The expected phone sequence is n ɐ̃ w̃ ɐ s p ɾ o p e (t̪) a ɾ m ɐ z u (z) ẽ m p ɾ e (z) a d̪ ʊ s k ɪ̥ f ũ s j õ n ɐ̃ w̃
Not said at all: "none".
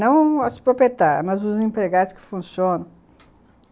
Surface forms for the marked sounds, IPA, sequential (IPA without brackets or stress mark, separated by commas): t̪, z, ɣ